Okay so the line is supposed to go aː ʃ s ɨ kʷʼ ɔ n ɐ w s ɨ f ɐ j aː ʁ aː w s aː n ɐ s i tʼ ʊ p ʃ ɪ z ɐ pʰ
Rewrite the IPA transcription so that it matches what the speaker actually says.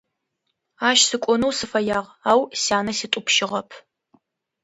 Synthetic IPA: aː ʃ s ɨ kʷʼ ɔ n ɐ w s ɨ f ɐ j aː ʁ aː w s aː n ɐ s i tʼ ʊ p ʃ ɪ ʁ ɐ pʰ